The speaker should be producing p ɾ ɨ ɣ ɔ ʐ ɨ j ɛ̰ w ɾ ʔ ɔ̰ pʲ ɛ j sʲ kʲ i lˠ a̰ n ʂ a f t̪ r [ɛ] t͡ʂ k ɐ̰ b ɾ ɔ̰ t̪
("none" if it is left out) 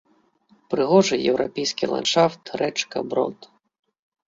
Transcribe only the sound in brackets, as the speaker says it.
ɛ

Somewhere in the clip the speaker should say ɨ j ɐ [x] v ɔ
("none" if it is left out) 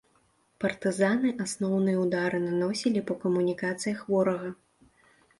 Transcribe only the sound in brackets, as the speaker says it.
x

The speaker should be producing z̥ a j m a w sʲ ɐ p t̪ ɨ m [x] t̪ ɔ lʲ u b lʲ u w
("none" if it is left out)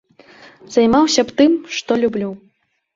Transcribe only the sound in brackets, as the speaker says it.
ʂ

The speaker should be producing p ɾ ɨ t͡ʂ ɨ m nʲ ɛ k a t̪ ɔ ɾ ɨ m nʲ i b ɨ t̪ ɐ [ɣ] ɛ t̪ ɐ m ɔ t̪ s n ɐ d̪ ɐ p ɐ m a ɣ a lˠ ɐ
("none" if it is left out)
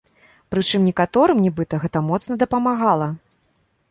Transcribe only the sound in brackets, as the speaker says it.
ɣ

